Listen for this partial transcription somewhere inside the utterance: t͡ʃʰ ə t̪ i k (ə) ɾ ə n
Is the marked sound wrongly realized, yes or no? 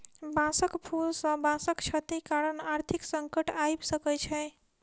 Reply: yes